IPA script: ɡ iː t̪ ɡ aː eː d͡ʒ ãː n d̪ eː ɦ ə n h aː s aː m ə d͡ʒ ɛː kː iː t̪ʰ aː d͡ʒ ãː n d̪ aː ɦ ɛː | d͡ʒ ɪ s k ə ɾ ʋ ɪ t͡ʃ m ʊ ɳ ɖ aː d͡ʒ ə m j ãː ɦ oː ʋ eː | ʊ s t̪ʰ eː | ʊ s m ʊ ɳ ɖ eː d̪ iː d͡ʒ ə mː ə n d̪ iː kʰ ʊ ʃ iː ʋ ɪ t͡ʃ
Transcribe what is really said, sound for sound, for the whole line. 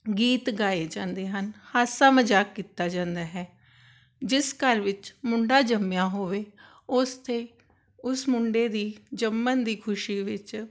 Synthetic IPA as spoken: ɡ iː t̪ ɡ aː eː d͡ʒ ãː n d̪ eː ɦ ə n h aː s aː m ə d͡ʒ aː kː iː t̪ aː d͡ʒ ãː n d̪ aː ɦ ɛː | d͡ʒ ɪ s k ə ɾ ʋ ɪ t͡ʃ m ʊ ɳ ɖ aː d͡ʒ ə m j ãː ɦ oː ʋ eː | ʊ s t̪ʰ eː | ʊ s m ʊ ɳ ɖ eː d̪ iː d͡ʒ ə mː ə n d̪ iː kʰ ʊ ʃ iː ʋ ɪ t͡ʃ

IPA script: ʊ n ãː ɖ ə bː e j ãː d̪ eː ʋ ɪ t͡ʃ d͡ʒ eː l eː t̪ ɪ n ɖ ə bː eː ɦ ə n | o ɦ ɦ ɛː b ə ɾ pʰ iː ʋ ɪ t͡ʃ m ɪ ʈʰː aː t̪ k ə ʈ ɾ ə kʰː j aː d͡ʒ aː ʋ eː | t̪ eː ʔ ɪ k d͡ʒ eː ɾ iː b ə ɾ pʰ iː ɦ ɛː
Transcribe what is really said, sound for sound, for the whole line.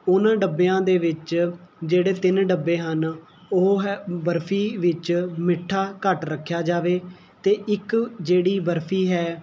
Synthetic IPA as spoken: ʊ n ãː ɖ ə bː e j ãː d̪ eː ʋ ɪ t͡ʃ d͡ʒ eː ɽ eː t̪ ɪ n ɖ ə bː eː ɦ ə n | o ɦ ɦ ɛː b ə ɾ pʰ iː ʋ ɪ t͡ʃ m ɪ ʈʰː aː k ə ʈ ɾ ə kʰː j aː d͡ʒ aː ʋ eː | t̪ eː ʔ ɪ k d͡ʒ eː ɽ iː b ə ɾ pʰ iː ɦ ɛː

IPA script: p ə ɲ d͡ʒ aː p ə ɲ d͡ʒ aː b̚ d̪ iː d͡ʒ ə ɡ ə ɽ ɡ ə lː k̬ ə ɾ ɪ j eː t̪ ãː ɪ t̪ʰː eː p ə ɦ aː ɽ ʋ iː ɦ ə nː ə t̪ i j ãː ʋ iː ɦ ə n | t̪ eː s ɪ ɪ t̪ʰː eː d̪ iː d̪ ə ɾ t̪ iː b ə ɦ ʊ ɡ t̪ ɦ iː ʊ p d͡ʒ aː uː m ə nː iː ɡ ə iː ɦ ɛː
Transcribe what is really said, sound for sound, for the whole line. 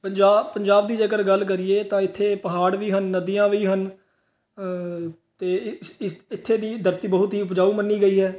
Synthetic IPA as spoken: p ə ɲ d͡ʒ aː p ə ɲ d͡ʒ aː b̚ d̪ iː d͡ʒ ə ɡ ə ɾ ɡ ə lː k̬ ə ɾ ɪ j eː t̪ ãː ɪ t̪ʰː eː p ə ɦ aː ɽ ʋ iː ɦ ə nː ə d̪ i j ãː ʋ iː ɦ ə n | t̪ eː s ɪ ɪ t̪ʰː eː d̪ iː d̪ ə ɾ t̪ iː b ə ɦ ʊ t̪ ɦ iː ʊ p d͡ʒ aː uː m ə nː iː ɡ ə iː ɦ ɛː

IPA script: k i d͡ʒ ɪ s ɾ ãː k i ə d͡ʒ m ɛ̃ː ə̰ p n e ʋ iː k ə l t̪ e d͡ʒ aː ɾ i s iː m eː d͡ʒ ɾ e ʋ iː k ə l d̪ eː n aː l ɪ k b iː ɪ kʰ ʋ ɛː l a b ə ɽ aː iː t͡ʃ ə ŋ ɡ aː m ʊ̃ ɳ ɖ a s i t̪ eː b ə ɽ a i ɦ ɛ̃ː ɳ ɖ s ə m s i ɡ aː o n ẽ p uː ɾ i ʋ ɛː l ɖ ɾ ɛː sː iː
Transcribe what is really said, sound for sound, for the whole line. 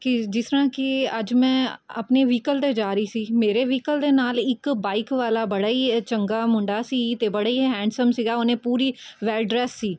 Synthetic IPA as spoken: k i d͡ʒ ɪ s ɾ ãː k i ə d͡ʒ m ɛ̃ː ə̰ p n e ʋ iː k ə l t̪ e d͡ʒ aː ɾ i s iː m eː ɾ e ʋ iː k ə l d̪ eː n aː l ɪ k b aː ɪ k ʋ aː l a b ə ɽ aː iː t͡ʃ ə ŋ ɡ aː m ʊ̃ ɳ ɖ a s i t̪ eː b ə ɽ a i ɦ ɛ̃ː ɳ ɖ s ə m s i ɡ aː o n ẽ p uː ɾ i ʋ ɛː l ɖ ɾ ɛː sː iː

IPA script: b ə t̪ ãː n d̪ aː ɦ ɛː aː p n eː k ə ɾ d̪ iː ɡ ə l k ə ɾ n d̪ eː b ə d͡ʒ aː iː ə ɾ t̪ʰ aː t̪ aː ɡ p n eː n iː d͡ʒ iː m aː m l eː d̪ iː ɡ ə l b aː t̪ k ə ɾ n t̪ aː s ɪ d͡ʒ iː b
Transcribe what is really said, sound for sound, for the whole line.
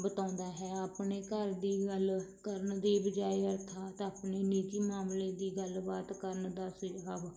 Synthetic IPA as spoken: b ə t̪ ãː n d̪ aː ɦ ɛː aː p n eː k ə ɾ d̪ iː ɡ ə l k ə ɾ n d̪ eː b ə d͡ʒ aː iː ə ɾ t̪ʰ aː t̪ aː p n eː n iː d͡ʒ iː m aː m l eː d̪ iː ɡ ə l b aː t̪ k ə ɾ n d̪ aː s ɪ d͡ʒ aː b

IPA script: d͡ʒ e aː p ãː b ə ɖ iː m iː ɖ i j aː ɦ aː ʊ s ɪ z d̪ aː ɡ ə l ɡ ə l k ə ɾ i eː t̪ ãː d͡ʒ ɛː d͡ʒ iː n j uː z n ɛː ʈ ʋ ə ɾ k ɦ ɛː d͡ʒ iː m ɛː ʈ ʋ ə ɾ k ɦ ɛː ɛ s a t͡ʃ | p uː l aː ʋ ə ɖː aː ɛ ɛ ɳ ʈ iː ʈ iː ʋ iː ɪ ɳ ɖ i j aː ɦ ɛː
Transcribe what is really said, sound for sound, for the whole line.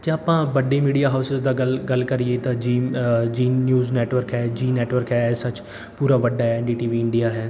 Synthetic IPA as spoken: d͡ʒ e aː p ãː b ə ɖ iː m iː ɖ i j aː ɦ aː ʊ s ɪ z d̪ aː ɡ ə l ɡ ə l k ə ɾ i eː t̪ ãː d͡ʒ iː d͡ʒ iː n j uː z n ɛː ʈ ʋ ə ɾ k ɦ ɛː d͡ʒ iː n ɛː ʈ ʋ ə ɾ k ɦ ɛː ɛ s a t͡ʃ | p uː ɾ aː ʋ ə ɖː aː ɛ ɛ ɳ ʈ iː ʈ iː ʋ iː ɪ ɳ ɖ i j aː ɦ ɛː

